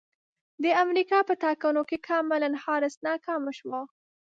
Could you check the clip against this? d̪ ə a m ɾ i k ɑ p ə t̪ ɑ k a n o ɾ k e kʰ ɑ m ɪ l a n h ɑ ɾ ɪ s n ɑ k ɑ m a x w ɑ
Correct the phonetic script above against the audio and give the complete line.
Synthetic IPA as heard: d̪ ə a m ɾ i k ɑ p ə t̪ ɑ k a n o k e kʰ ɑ m ɪ l a n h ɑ ɾ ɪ s n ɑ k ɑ m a ʃ w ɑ

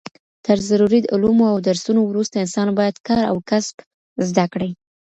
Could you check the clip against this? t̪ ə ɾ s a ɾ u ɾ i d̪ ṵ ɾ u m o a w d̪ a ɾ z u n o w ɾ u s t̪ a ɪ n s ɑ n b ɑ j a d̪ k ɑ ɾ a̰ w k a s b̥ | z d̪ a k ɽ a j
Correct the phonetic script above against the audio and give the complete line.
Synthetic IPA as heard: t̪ ə ɾ z a ɾ u ɾ i d̪ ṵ l u m o a w d̪ a ɾ s u n o w ɾ u s t̪ a ɪ n s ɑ n b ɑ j a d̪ k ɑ ɾ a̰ w k a s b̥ | z d̪ a k ɽ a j

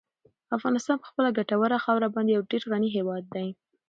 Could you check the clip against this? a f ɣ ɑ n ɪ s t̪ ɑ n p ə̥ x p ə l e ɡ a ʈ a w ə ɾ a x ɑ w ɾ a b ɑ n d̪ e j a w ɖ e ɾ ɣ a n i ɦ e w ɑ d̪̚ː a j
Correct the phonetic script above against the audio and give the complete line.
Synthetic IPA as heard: a f ɣ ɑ n ɪ s t̪ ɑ n p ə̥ x p ə l a ɡ a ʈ a w ə ɾ a x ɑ w ɾ a b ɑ n d̪ e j a w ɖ e ɾ ɣ a n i ɦ e w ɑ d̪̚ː a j

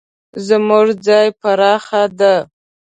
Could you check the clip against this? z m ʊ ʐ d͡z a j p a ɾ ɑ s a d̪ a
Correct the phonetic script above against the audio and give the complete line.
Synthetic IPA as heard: z m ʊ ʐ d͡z ɑ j p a ɾ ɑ x a d̪ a

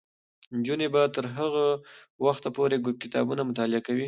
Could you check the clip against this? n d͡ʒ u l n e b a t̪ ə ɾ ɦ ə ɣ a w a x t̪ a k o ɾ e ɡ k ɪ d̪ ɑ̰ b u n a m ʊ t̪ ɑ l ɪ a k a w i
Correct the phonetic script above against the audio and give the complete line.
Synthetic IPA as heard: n d͡ʒ u n e b a t̪ ə ɾ ɦ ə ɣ a w a x t̪ a p o ɾ e ɡ k ɪ t̪ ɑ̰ b u n a m ʊ t̪ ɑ l ɪ a k a w i

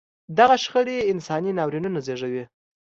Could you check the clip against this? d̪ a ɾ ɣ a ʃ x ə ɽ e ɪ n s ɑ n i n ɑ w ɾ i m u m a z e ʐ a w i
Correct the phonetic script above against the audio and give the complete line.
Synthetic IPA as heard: d̪ a ɣ a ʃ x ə ɽ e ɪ n s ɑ n i n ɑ w ɾ i n u n a z e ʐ a w i

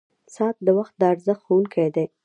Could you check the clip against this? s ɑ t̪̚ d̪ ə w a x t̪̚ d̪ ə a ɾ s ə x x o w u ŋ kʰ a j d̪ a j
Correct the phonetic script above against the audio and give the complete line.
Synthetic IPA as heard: s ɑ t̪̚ d̪ ə w a x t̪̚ d̪ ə a ɾ z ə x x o w u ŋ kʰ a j d̪ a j

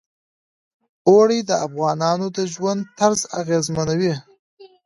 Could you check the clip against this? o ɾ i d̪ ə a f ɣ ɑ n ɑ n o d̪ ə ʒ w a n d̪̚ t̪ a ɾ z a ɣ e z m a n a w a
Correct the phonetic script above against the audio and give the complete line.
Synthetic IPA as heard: o ɽ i d̪ ə a f ɣ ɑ n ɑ n o d̪ ə ʒ w a n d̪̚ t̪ a ɾ z a ɣ e z m a n a w i

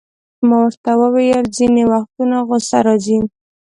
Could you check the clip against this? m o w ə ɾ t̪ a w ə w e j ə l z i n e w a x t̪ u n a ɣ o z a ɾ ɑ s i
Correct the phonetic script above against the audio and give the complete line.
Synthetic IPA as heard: m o w ə ɾ t̪ a w ə w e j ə l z i n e w a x t̪ u n a ɣ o s a ɾ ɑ z i

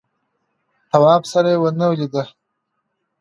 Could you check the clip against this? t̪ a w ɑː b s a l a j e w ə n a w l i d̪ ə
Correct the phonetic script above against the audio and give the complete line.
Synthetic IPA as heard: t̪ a w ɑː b s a ɾ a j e w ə n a w l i d̪ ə

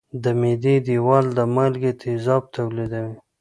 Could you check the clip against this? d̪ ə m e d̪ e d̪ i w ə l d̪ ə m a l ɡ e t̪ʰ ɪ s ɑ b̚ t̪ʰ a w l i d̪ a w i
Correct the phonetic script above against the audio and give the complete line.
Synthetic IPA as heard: d̪ ə m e d̪ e d̪ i w ɑ l d̪ ə m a l ɡ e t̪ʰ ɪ z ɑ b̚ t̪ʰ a w l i d̪ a w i

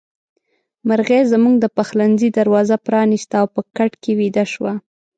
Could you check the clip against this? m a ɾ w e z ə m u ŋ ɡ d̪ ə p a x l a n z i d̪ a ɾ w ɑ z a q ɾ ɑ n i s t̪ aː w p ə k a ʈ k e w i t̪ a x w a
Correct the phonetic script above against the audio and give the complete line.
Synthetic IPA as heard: m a ɾ ɣ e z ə m u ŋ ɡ d̪ ə p a x l a n z i d̪ a ɾ w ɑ z a p ɾ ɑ n i s t̪ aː w p ə k a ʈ k e w i d̪ a ʃ w a

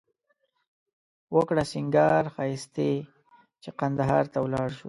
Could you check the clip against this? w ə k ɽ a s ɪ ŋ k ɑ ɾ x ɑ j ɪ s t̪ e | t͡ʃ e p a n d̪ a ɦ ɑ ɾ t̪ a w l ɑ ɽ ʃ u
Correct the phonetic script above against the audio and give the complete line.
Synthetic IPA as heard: w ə k ɽ a s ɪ ŋ ɡ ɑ ɾ x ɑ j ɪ s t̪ e | t͡ʃ e q a n d̪ a ɦ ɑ ɾ t̪ a w l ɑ ɽ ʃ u

